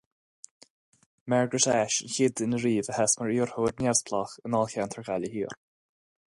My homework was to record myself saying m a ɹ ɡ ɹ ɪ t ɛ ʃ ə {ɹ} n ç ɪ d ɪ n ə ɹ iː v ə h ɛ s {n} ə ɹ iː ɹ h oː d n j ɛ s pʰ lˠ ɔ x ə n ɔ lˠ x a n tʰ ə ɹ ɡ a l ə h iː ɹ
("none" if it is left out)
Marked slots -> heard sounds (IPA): none, m

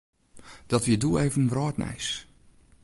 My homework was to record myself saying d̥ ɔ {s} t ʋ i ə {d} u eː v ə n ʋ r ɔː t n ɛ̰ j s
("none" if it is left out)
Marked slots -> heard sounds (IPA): none, d

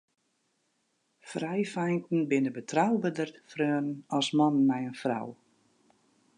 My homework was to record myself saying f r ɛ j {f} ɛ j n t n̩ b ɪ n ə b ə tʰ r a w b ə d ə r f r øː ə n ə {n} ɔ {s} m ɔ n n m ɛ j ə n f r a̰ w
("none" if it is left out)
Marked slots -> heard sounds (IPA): f, n, s

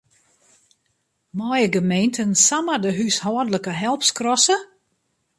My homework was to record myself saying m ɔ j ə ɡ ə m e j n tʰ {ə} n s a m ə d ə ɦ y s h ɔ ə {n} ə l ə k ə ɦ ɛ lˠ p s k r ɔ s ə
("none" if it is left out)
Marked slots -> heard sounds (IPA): ə, d

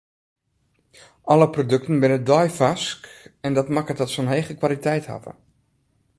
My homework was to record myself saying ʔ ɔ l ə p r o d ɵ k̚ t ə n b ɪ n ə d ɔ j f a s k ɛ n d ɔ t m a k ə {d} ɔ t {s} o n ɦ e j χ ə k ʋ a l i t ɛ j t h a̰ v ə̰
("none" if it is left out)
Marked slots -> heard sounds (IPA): t, s

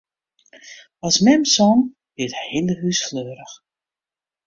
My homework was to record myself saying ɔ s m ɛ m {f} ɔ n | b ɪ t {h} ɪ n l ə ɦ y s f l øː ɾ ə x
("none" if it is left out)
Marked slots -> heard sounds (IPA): s, h

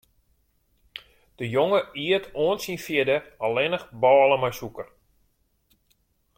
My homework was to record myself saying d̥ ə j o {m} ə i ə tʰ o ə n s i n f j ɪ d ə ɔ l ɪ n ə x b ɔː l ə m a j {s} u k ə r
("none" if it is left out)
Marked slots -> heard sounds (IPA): ŋ, s

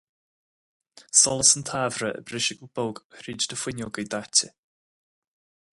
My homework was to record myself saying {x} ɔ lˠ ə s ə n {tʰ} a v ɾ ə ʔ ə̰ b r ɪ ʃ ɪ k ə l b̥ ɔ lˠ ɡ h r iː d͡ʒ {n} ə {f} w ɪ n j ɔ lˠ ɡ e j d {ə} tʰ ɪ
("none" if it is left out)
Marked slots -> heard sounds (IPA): s, tʰ, d, f, a

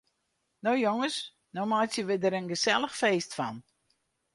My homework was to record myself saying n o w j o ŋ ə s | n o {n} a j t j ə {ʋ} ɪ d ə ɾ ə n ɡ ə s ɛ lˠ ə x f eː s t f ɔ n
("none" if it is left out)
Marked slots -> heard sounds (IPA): m, ʋ

